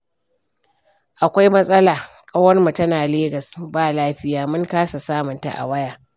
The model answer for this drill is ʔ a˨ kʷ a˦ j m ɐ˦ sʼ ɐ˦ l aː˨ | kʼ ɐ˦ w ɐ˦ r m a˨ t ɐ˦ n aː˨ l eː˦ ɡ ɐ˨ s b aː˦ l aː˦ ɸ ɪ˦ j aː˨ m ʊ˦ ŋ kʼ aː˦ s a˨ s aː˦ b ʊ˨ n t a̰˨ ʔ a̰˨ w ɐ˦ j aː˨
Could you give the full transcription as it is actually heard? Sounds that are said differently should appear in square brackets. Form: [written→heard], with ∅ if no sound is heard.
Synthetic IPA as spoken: ʔ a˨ kʷ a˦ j m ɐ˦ sʼ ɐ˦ l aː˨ | kʼ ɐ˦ w ɐ˦ r m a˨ t ɐ˦ n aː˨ l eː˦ ɡ ɐ˨ s b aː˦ l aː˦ ɸ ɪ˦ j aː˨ m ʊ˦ ŋ [kʼ→k] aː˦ s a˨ s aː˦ [b→m] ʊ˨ n t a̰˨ ʔ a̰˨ w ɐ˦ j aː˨